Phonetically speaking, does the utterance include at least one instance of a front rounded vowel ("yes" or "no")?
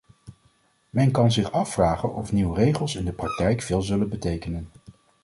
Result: no